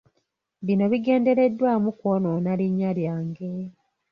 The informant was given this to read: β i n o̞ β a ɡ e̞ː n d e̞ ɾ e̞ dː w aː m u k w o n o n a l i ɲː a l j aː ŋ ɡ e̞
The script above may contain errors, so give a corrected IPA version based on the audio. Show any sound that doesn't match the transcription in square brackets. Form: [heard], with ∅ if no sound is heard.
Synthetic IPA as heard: β i n o̞ β [i] ɡ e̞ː n d e̞ ɾ e̞ dː w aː m u k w o n o n a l i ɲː a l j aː ŋ ɡ e̞